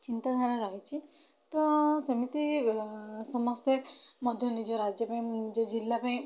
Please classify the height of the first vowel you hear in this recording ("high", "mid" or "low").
high